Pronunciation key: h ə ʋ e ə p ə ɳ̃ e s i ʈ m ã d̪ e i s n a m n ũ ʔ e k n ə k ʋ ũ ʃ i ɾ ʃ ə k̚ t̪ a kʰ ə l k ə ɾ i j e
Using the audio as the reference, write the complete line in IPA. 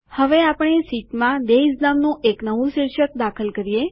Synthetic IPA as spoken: h ə ʋ e a p ə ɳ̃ e s i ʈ m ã d̪ e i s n a m n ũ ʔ e k n ə ʋ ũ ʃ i ɾ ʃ ə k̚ d̪ a kʰ ə l k ə ɾ i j e